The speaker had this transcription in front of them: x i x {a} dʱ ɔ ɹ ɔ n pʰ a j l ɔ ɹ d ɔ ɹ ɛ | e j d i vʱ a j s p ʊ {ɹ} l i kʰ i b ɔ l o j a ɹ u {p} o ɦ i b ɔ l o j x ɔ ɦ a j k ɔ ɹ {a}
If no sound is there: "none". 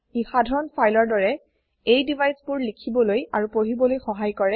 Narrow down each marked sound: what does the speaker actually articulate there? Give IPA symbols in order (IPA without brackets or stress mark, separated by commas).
a, ɹ, p, ɛ